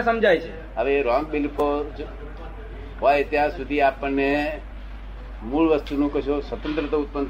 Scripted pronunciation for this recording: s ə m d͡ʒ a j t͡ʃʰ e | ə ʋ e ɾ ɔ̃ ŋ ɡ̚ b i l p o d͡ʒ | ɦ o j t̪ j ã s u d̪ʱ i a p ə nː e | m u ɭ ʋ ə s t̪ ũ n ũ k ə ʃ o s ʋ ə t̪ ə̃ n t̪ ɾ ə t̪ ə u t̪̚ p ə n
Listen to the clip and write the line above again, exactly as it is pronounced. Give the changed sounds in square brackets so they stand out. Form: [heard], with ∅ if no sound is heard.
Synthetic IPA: s ə m d͡ʒ a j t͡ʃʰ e | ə ʋ e ɾ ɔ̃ ŋ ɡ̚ b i l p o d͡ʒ | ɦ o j t̪ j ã s u d̪ʱ i a p ə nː e | m u ɭ ʋ ə s t̪ [u] n ũ k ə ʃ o s ʋ ə t̪ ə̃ n t̪ ɾ ə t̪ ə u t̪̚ p ə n